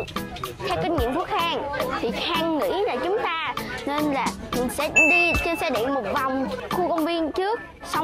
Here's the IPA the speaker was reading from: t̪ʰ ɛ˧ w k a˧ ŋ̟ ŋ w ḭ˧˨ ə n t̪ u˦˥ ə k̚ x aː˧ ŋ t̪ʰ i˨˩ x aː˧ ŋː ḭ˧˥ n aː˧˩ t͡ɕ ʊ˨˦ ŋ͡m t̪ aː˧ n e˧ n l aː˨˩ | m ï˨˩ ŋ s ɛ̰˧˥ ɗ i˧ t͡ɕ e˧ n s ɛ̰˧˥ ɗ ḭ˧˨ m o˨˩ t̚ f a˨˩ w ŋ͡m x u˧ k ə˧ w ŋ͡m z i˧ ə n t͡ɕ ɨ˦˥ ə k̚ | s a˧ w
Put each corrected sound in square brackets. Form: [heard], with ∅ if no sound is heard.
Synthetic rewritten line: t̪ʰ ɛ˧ w k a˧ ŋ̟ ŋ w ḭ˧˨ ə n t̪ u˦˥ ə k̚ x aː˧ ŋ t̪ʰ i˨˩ x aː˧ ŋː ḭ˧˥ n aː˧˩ t͡ɕ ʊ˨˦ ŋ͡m t̪ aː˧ n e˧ n l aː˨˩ | m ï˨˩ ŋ s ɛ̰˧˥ ɗ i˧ t͡ɕ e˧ n s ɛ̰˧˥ ɗ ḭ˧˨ m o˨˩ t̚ [v] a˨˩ w ŋ͡m x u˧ k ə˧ w ŋ͡m [v] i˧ ə n t͡ɕ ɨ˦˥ ə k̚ | s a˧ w